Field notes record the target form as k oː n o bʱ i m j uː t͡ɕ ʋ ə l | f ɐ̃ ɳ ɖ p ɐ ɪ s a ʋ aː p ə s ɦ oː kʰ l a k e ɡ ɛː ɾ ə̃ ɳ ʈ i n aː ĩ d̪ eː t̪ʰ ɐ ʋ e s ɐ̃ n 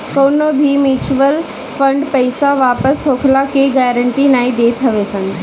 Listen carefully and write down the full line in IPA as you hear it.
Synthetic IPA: k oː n o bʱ i m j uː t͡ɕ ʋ ə l | f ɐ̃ ɳ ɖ p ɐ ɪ s a ʋ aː p ə s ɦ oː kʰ l a k e ɡ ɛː ɾ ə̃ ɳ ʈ i n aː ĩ d̪ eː t̪ʰ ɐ ʋ e s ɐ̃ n